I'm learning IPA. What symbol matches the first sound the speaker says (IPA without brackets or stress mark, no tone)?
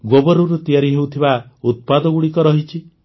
ɡ